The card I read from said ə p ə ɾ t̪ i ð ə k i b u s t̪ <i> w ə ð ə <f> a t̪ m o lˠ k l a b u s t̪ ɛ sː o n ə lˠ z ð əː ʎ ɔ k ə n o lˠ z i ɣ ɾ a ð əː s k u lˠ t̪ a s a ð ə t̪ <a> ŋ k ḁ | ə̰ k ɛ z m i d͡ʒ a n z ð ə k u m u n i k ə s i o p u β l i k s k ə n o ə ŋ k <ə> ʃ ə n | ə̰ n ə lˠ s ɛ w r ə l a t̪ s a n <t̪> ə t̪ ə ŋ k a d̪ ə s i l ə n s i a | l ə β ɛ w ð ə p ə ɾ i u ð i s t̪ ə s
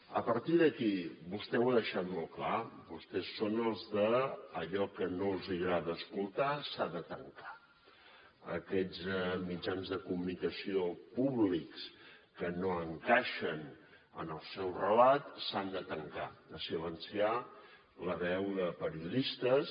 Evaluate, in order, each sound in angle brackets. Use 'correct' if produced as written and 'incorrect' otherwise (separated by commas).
incorrect, incorrect, incorrect, incorrect, incorrect